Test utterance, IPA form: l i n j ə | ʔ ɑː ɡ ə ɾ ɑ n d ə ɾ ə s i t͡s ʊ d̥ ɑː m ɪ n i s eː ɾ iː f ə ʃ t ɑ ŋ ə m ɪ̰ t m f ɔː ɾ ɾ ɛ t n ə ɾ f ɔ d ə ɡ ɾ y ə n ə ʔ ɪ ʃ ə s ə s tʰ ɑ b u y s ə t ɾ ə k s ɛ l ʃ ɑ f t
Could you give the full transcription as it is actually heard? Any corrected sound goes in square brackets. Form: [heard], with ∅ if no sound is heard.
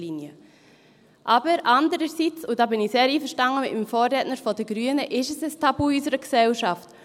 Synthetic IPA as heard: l i n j ə | ʔ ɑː [b] ə ɾ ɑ n d ə ɾ ə s i t͡s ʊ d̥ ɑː [b] ɪ n i s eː ɾ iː f ə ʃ t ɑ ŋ ə m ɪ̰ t m f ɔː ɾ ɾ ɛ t n ə ɾ f ɔ d ə ɡ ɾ y ə n ə ʔ ɪ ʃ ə s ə s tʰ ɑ b u y s ə [∅] ɾ ə k s ɛ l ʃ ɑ f t